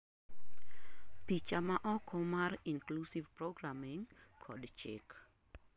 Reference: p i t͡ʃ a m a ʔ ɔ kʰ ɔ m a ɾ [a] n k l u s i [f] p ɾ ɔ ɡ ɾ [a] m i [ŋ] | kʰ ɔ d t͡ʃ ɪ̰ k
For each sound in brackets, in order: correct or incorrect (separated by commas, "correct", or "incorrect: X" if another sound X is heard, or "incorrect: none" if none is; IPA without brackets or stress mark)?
incorrect: i, incorrect: v, correct, correct